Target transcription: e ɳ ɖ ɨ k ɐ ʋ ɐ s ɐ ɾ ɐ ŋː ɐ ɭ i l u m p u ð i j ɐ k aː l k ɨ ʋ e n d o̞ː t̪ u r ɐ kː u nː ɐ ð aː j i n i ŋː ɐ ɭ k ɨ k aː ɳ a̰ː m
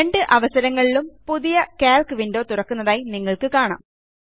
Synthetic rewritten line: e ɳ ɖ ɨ ʔ ɐ ʋ ɐ s ɐ ɾ ɐ ŋː ɐ ɭ i l u m p u ð i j ɐ k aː l k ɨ ʋ i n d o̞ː t̪ u r ɐ kː u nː ɐ ð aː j i n i ŋː ɐ ɭ k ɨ k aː ɳ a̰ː m